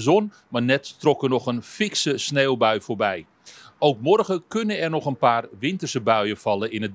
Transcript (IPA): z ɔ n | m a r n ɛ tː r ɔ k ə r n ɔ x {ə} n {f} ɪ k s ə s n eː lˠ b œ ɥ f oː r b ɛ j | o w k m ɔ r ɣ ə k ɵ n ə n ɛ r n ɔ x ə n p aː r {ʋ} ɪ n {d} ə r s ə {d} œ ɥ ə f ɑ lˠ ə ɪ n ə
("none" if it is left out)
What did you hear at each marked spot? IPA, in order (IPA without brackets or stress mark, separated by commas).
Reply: ə, f, ʋ, t, b